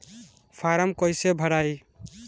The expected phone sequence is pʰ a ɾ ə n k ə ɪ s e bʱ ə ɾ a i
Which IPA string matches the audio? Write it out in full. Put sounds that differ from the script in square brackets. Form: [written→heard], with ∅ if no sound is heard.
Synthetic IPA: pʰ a ɾ ə [n→m] k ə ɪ s e bʱ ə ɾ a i